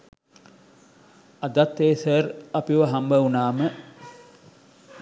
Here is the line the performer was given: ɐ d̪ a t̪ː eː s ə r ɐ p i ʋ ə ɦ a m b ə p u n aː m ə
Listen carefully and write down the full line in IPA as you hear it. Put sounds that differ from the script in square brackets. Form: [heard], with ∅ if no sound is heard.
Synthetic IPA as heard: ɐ d̪ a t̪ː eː s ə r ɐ p i ʋ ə ɦ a m b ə [∅] u n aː m ə